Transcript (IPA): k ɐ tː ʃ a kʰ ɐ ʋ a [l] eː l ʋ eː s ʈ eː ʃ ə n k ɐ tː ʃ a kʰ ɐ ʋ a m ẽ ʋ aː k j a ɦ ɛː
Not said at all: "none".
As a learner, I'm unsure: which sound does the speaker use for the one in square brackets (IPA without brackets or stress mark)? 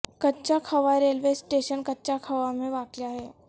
ɾ